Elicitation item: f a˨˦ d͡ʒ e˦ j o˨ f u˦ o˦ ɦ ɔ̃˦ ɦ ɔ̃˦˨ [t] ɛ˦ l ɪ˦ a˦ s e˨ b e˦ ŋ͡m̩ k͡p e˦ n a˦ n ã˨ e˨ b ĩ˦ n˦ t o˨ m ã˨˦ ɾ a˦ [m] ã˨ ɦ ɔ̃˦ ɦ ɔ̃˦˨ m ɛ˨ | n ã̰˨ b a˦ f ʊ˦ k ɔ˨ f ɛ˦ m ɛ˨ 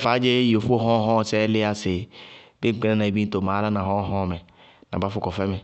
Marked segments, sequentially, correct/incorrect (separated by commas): incorrect, incorrect